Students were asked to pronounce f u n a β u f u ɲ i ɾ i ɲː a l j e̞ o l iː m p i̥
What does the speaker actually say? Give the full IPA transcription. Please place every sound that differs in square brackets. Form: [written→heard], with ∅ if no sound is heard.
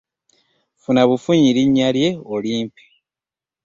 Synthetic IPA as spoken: f u n a β u f u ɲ i ɾ i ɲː a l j e̞ o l iː m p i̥

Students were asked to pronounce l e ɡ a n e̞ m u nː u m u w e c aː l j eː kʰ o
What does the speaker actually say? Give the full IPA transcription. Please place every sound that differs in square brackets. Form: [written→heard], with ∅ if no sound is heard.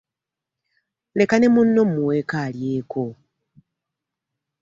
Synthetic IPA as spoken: l e [ɡ→k] a n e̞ m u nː [u→o] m u w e [c→k] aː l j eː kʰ o

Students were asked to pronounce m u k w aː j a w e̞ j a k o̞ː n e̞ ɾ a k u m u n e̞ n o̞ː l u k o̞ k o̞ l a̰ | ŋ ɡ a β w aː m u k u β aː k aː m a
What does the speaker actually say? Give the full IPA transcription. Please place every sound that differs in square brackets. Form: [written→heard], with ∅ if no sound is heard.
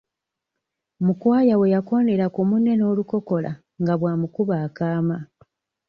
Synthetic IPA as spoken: m u k w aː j a w e̞ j a k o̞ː n e̞ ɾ a k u m u n e̞ n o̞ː l u k o̞ k o̞ l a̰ | ŋ ɡ a β w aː m u k u β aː k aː m a

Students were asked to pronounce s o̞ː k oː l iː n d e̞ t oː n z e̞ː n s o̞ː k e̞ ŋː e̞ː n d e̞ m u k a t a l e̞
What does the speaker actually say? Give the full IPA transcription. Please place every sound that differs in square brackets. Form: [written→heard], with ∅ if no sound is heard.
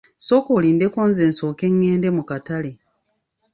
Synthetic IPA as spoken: s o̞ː k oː l iː n d e̞ [t→k] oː n z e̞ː n s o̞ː k e̞ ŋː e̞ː n d e̞ m u k a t a l e̞

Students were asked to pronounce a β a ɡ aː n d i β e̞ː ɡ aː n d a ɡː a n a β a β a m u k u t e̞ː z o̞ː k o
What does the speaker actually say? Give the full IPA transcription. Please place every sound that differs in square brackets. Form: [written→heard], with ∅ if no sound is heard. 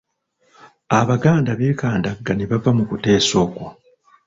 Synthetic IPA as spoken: a β a ɡ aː n d [i→a] β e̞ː [ɡ→k] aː n d a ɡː a n [a→e] β a [β→v] a m u k u t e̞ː [z→s] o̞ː k o

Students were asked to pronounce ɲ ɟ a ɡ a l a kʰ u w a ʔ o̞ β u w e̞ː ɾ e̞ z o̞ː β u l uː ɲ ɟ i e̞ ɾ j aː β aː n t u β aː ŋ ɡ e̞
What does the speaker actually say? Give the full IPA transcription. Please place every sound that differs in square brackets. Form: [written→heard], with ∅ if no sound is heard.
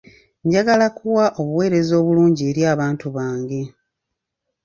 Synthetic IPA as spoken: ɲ ɟ a ɡ a l a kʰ u w a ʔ o̞ β u w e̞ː ɾ e̞ z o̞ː β u l uː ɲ ɟ i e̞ ɾ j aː β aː n t u β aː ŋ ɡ e̞

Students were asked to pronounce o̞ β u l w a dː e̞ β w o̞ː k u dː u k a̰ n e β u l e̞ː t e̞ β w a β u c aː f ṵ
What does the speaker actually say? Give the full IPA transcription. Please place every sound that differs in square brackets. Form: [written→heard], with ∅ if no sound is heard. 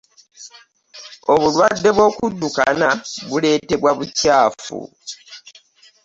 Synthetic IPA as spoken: o̞ β u l w a dː e̞ β w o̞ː k u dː u k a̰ n [e→a] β u l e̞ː t e̞ β w a β u c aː f ṵ

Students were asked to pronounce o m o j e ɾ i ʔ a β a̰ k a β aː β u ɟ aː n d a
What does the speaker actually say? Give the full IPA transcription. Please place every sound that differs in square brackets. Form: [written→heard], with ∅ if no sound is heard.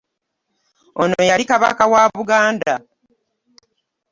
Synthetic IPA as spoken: o [m→n] o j [e→a] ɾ i [ʔ→k] a β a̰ k a [β→w] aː β u [ɟ→ɡ] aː n d a

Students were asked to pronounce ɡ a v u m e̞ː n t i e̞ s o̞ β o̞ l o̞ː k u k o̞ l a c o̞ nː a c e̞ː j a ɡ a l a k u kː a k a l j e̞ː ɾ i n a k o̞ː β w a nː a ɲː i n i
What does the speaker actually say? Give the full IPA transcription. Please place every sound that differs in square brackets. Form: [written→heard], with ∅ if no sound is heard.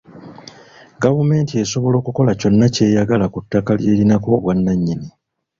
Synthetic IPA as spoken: ɡ a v u m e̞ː n t i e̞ s o̞ β o̞ l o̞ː k u k o̞ l a c o̞ nː a c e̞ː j a ɡ a l a k u [kː→tː] a k a l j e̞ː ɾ i n a k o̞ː β w a nː a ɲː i n i

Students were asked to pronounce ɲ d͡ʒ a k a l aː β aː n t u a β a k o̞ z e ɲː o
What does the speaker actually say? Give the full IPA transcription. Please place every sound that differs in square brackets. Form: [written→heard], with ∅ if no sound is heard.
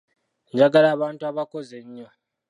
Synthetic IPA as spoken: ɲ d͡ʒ a [k→ɡ] a l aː β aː n t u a β a k o̞ z e ɲː o

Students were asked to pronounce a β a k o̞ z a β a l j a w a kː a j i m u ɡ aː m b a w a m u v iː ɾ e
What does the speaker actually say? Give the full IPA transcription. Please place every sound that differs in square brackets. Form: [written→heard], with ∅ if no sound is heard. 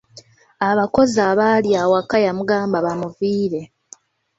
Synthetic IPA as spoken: a β a k o̞ z a β a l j a w a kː a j [i→a] m u ɡ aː m b a [w→β] a m u v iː ɾ e

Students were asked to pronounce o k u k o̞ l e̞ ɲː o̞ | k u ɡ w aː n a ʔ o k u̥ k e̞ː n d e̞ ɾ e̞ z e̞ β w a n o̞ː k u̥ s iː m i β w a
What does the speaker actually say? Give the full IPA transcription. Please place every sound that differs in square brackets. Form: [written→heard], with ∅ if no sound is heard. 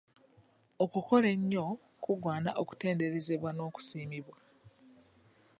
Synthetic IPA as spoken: o k u k o̞ l e̞ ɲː o̞ | k u ɡ w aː n a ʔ o k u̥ [k→t] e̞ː n d e̞ ɾ e̞ z e̞ β w a n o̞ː k u̥ s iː m i β w a

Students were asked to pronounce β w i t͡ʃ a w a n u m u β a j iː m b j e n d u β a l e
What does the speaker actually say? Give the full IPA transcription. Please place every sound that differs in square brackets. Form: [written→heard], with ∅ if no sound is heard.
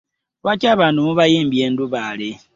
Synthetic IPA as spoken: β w [i→a] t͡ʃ a [w→β] a n u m u β a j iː m b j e n d u β a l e

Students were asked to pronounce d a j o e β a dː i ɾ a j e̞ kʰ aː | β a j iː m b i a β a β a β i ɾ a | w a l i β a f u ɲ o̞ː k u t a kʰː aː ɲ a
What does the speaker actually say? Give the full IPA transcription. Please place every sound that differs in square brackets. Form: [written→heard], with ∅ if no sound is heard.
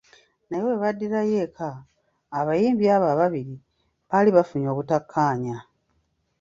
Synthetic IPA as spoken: [d→n] a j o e β a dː i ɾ a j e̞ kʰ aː | β a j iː m b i a β a β a β i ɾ [a→i] | [w→β] a l i β a f u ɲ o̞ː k u t a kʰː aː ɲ a

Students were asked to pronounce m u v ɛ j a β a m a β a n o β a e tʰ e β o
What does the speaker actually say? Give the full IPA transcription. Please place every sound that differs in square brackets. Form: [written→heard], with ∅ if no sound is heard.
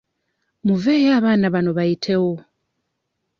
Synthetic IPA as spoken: m u v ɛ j a β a [m→n] a β a n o β a [e→i] tʰ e [β→w] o

